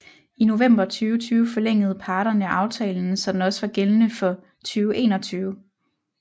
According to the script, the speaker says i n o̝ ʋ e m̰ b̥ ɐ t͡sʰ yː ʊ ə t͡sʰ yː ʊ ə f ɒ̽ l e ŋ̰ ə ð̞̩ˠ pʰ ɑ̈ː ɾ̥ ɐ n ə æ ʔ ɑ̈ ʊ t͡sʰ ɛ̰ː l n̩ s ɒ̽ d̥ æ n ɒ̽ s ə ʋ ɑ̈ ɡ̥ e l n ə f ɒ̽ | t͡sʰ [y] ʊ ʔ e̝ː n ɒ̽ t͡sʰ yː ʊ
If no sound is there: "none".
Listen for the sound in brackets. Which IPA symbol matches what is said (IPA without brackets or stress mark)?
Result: yː